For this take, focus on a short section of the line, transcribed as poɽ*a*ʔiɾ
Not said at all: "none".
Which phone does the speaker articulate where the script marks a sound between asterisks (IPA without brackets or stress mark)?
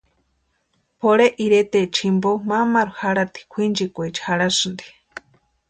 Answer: e